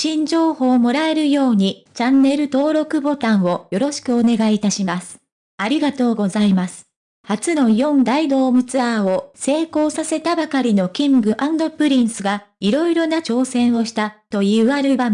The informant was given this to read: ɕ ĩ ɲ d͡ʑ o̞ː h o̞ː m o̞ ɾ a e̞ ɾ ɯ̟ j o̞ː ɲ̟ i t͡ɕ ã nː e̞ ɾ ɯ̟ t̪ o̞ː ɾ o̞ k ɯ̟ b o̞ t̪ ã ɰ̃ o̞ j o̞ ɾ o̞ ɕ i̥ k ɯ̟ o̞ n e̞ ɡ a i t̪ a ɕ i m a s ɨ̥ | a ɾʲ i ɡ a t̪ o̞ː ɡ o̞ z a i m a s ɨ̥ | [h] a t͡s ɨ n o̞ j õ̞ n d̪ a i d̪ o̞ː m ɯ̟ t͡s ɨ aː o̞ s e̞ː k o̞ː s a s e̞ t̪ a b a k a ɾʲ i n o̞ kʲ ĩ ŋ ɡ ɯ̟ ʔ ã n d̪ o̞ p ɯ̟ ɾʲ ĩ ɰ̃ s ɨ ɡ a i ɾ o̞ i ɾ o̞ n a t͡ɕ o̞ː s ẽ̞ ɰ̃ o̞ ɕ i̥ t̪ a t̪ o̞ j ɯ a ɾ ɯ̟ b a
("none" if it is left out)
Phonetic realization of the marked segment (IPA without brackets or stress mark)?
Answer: h